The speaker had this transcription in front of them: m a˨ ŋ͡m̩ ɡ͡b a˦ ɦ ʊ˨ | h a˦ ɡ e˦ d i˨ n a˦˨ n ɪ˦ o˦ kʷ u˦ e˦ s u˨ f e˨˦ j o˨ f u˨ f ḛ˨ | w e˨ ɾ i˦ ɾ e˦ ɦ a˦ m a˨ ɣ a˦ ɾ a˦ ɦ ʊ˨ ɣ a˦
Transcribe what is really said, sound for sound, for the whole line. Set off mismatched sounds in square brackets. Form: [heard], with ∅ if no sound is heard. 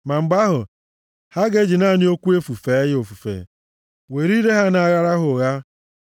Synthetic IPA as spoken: m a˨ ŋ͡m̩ ɡ͡b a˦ ɦ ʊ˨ | h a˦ ɡ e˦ [d͡ʒ] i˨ n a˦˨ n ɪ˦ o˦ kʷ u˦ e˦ [f] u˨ f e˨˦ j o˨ f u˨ f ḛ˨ | w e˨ ɾ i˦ ɾ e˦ ɦ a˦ [n] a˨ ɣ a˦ ɾ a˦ ɦ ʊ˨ ɣ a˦